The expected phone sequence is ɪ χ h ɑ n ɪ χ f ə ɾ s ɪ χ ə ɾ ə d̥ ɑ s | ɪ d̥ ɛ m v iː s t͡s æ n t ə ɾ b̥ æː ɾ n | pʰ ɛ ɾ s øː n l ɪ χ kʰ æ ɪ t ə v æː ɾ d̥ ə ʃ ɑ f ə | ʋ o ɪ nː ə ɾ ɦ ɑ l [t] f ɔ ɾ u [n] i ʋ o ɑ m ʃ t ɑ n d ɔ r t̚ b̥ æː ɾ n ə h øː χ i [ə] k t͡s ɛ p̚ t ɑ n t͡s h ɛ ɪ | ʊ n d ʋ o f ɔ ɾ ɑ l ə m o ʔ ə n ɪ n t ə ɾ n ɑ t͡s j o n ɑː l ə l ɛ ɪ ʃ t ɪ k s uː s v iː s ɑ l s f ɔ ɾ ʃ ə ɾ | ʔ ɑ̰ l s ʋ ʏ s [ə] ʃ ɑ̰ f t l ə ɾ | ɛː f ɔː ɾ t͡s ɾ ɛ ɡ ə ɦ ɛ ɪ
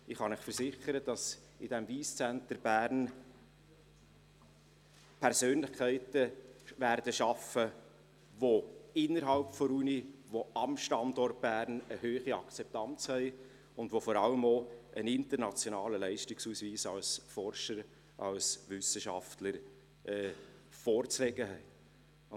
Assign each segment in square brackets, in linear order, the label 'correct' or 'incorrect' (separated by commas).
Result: incorrect, correct, incorrect, correct